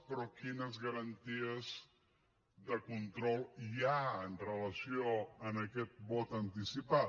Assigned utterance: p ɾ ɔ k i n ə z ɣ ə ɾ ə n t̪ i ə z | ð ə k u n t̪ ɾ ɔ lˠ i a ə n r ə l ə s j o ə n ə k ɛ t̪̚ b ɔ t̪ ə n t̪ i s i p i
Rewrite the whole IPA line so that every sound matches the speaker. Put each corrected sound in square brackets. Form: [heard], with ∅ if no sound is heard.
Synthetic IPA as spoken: p ɾ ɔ k i n ə z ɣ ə ɾ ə n t̪ i ə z | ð ə k u n t̪ ɾ ɔ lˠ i a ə n r ə l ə s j o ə n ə k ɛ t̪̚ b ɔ t̪ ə n t̪ i s i p [a]